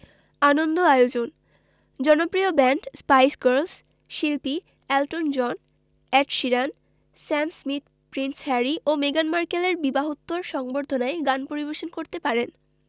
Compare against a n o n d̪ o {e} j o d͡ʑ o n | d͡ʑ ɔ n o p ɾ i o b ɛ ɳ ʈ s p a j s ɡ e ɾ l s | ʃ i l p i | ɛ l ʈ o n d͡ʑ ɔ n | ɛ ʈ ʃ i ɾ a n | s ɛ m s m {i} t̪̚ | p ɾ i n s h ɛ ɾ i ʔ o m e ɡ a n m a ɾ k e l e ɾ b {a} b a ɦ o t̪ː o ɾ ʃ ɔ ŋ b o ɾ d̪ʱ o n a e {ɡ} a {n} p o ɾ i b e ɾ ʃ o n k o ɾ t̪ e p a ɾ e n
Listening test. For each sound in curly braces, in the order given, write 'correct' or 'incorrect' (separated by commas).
incorrect, correct, incorrect, correct, correct